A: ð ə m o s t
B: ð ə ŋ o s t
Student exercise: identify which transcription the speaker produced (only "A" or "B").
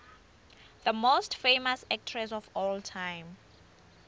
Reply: A